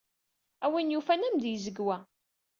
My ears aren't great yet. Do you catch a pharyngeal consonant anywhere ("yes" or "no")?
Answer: no